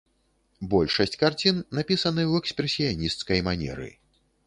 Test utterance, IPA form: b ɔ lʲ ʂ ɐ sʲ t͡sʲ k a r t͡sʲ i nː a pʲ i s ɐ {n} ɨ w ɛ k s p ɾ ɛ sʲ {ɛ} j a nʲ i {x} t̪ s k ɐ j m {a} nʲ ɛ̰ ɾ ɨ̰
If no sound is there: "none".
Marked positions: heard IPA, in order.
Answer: n, i, s, a

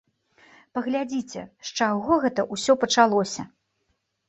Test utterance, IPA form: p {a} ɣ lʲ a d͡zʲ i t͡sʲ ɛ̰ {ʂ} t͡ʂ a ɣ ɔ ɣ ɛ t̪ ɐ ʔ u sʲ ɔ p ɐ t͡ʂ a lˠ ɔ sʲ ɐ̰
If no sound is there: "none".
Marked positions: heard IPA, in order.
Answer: ɐ, ʂ

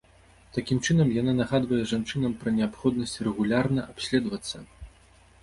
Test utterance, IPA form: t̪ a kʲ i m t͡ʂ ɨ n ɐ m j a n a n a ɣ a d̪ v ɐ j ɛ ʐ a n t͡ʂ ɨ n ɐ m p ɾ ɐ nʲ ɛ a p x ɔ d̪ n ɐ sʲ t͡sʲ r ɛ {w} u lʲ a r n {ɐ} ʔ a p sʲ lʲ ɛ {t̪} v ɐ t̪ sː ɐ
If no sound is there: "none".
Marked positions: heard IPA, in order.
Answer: ɣ, ɐ, d̪

